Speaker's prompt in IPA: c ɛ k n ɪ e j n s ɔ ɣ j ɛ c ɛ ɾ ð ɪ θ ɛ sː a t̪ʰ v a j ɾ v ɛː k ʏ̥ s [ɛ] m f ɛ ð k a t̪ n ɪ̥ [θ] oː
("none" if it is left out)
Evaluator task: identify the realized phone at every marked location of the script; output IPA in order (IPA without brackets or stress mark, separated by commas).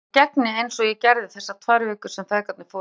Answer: ɛ, f